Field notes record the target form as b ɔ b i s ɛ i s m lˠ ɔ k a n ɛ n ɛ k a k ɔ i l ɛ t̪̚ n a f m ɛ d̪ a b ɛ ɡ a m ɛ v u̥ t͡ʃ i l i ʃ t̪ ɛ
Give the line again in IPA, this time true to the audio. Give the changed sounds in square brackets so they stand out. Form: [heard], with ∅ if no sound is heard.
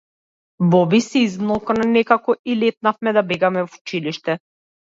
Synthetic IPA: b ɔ b i s ɛ i [z] m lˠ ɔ k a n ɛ n ɛ k a k ɔ i l ɛ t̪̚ n a f m ɛ d̪ a b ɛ ɡ a m ɛ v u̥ t͡ʃ i l i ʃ t̪ ɛ